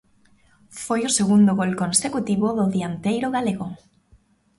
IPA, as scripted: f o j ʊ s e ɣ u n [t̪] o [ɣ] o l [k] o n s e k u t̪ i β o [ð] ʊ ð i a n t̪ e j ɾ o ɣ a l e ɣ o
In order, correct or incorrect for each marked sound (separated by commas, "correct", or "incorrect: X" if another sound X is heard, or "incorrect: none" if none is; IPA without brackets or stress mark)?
incorrect: d̪, correct, correct, correct